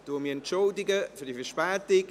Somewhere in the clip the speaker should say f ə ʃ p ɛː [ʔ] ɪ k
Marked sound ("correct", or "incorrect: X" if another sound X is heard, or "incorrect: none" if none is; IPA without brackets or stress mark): incorrect: t